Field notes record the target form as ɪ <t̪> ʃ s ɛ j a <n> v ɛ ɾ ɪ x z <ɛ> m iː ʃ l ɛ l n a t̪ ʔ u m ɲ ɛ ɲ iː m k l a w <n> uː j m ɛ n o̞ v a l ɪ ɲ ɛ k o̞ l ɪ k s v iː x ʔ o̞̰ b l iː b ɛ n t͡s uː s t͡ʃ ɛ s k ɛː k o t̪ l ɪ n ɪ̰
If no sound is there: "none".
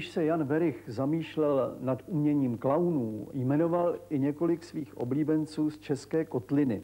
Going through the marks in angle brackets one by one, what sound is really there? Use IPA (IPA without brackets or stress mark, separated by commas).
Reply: none, n, a, n